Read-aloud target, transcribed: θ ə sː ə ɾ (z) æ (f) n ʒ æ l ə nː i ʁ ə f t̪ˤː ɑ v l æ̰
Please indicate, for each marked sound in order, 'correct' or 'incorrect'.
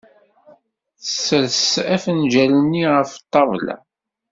incorrect: s, correct

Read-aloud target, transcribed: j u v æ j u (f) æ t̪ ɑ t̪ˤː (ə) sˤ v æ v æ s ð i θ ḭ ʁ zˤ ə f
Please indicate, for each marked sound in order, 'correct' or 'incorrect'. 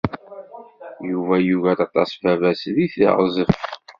incorrect: v, incorrect: ɑ

